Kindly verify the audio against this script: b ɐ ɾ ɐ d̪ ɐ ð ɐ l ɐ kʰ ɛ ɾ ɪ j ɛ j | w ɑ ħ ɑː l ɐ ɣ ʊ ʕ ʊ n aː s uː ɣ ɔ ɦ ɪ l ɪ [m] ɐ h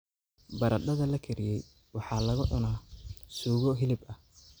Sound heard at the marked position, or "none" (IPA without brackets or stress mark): b